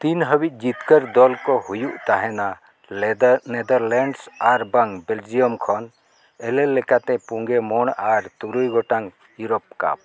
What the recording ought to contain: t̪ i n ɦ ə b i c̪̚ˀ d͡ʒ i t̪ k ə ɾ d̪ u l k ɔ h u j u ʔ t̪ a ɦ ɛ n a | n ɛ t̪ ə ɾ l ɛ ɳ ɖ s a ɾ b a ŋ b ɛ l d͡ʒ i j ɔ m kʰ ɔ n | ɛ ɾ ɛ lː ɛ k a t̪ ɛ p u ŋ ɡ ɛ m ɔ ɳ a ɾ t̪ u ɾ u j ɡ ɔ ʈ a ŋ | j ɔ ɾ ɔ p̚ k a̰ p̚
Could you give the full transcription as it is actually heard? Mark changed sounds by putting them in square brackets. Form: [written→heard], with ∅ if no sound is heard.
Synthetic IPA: t̪ i n ɦ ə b i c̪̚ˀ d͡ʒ i t̪ k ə ɾ d̪ [u→ɔ] l k ɔ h u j u ʔ t̪ a ɦ ɛ n a | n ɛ [t̪→d̪] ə ɾ l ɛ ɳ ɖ s a ɾ b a ŋ b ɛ l d͡ʒ i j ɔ m kʰ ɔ n | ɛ [ɾ→l] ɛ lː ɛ k a t̪ ɛ p u ŋ ɡ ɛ m ɔ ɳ a ɾ t̪ u ɾ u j ɡ ɔ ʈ a ŋ | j [ɔ→u] ɾ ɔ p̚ k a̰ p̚